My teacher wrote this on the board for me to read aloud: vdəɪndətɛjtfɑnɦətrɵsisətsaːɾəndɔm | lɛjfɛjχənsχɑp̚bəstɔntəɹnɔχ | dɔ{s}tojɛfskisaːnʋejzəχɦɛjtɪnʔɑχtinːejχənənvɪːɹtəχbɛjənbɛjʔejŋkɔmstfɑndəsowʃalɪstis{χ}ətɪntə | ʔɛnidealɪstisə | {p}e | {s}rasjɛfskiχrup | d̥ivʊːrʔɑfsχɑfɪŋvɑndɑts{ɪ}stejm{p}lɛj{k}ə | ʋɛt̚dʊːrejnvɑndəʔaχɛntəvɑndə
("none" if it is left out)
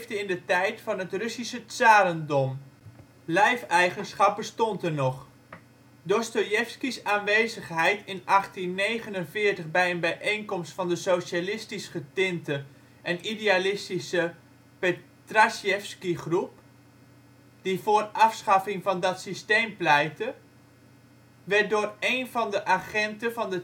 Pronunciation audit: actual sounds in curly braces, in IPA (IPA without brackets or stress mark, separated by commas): s, χ, p, t, i, p, t